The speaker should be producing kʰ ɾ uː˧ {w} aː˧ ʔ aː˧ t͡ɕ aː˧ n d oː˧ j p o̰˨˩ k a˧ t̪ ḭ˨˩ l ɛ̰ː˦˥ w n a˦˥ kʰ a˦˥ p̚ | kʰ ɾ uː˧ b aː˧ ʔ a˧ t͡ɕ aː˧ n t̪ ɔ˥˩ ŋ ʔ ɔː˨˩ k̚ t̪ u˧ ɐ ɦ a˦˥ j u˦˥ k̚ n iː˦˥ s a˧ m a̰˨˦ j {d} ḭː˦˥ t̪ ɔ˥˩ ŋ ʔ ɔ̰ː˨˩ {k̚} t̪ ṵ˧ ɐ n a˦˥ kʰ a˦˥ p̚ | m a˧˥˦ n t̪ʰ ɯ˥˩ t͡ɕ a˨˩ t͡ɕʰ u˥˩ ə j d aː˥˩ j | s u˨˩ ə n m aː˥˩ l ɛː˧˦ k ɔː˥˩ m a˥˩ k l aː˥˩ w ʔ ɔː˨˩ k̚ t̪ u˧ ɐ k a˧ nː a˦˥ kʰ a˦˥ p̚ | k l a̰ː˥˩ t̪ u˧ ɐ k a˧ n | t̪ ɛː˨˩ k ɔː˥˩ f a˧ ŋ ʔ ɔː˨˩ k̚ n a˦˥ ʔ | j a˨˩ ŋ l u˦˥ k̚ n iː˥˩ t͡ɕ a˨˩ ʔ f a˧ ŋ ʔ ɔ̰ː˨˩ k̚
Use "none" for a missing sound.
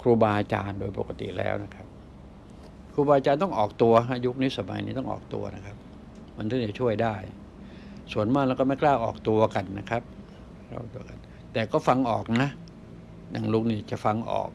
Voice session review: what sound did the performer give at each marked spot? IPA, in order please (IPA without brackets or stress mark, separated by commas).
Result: b, n, k̚